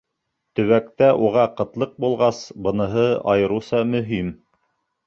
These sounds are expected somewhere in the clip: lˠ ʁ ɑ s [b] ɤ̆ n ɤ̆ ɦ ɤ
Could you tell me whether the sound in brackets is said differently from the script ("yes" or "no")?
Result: no